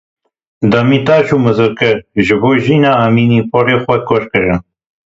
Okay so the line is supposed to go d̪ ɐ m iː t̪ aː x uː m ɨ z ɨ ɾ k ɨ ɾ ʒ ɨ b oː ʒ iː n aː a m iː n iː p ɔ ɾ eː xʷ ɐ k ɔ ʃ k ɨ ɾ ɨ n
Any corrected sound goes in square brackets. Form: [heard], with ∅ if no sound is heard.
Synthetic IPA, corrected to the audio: d̪ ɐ m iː t̪ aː [ʃ] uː m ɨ z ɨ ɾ k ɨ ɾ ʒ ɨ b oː ʒ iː n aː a m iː n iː p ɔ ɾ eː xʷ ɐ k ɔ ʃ k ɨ ɾ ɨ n